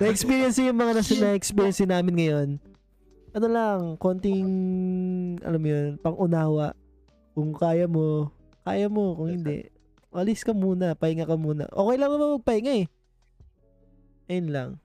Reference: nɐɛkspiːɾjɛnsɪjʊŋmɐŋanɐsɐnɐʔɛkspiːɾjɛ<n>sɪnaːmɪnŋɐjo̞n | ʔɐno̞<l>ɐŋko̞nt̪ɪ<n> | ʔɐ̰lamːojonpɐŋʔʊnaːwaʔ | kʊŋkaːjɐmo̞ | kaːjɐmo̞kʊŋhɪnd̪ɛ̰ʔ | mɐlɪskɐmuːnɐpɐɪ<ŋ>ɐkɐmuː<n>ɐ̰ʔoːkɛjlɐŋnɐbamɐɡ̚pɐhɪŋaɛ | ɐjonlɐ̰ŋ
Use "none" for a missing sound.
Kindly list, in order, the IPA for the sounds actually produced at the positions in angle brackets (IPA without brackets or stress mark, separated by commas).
n, l, ŋ, ŋ, n